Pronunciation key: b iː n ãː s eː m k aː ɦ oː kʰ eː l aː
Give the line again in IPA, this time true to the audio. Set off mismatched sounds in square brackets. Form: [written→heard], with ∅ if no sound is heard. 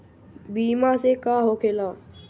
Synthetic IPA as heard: b iː [n→m] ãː s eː [m→∅] k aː ɦ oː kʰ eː l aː